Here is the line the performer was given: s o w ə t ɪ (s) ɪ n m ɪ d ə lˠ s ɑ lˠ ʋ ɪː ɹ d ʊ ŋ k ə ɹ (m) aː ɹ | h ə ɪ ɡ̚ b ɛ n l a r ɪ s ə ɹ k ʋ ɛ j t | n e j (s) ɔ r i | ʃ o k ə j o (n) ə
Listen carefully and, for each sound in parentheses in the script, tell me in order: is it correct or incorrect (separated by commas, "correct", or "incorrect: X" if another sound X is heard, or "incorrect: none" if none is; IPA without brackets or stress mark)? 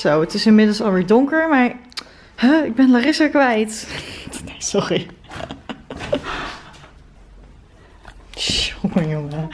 correct, correct, correct, incorrect: ŋ